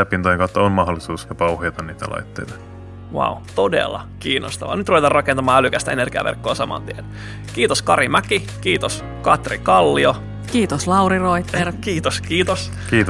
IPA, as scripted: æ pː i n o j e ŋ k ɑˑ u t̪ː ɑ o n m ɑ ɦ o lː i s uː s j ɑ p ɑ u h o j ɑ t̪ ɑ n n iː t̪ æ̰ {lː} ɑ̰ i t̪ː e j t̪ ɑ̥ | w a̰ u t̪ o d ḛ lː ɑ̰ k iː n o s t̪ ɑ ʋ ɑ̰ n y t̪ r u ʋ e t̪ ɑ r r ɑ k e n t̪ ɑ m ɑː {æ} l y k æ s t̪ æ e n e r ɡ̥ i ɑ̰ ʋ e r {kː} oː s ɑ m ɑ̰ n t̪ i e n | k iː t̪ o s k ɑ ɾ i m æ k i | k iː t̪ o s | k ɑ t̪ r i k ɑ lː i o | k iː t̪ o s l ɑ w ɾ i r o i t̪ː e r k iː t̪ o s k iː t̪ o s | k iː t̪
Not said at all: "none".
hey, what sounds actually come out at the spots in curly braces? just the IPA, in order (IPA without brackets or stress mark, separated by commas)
l, æ, kː